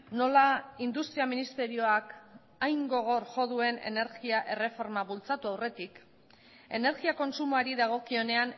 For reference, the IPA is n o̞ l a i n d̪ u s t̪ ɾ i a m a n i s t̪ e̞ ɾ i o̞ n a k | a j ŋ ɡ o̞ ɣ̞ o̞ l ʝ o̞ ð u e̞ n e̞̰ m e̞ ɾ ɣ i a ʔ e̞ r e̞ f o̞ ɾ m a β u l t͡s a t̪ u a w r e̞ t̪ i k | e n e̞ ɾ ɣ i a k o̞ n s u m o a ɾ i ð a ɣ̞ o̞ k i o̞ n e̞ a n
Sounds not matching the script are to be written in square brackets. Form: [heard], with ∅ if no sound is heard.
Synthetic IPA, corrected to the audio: n o̞ l a i n d̪ u s t̪ ɾ i a m [i] n i s t̪ e̞ ɾ i o̞ [∅] a k | a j ŋ ɡ o̞ ɣ̞ o̞ [ɾ] ʝ o̞ ð u e̞ n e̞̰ [n] e̞ ɾ ɣ i a ʔ e̞ r e̞ f o̞ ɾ m a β u l t͡s a t̪ u a w r e̞ t̪ i k | e n e̞ ɾ ɣ i a k o̞ n s u m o a ɾ i ð a ɣ̞ o̞ k i o̞ n e̞ a n